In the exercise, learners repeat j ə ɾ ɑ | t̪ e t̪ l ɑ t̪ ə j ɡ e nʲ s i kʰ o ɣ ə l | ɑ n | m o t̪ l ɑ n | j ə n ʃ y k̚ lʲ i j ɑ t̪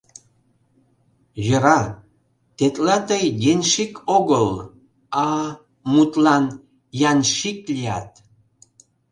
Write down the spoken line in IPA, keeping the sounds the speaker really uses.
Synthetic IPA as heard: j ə ɾ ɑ | t̪ e t̪ l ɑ t̪ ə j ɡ e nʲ ʃ i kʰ o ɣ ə l | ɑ | m u t̪ l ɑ n | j ɑ n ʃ i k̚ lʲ i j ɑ t̪